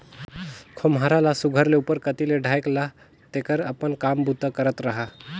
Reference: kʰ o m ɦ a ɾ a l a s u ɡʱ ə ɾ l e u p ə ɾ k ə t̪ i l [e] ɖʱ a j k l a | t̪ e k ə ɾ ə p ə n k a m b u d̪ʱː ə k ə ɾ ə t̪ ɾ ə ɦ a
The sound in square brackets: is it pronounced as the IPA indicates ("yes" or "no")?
yes